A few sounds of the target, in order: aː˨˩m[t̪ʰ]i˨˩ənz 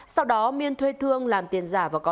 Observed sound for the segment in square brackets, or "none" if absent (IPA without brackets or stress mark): t̪